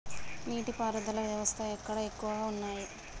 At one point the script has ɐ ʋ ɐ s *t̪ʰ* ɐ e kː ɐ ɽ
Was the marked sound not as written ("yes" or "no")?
no